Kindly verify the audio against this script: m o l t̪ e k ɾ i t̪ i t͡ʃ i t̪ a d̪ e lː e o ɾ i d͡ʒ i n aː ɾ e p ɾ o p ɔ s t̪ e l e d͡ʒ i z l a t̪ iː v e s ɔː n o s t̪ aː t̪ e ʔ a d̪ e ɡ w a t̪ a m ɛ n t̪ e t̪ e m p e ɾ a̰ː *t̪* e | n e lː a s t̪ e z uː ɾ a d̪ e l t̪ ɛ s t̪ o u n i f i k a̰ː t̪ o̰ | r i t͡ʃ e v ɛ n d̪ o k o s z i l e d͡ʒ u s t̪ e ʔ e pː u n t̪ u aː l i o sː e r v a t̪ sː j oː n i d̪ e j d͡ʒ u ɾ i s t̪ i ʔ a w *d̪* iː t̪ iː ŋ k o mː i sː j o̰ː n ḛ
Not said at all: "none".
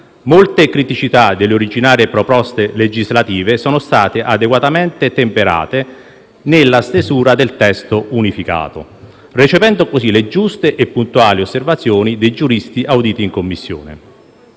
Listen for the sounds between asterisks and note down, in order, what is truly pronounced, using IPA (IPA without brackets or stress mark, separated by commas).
t̪, d̪